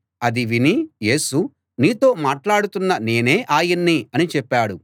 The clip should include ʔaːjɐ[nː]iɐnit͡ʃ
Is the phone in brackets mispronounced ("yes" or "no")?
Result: no